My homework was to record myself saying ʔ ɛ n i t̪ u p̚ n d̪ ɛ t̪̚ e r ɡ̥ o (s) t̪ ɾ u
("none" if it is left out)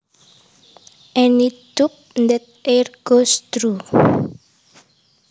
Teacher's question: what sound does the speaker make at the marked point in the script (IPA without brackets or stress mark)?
s